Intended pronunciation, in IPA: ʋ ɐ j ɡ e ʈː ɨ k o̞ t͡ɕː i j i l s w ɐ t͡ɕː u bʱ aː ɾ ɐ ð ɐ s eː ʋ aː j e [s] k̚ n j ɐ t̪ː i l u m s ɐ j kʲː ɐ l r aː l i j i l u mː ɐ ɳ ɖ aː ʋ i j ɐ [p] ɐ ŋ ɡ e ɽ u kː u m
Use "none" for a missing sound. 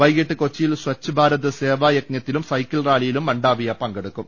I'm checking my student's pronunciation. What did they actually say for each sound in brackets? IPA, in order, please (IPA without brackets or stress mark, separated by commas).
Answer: none, p